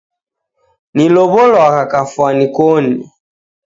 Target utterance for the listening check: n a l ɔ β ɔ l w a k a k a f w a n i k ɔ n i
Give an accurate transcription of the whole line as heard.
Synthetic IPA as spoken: n i l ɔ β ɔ l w a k a k a f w a n i k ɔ n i